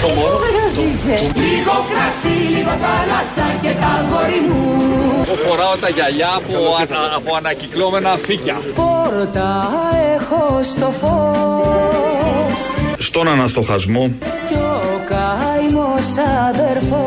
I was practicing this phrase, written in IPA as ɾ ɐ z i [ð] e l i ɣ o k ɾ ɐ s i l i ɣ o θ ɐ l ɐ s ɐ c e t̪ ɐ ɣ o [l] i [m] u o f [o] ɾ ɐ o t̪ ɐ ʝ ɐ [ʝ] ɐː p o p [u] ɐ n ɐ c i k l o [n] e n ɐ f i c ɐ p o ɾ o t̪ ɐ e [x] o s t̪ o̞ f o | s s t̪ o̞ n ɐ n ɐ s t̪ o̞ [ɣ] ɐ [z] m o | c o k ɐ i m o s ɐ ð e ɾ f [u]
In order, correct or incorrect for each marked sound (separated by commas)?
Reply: incorrect, incorrect, correct, correct, incorrect, incorrect, incorrect, correct, incorrect, correct, incorrect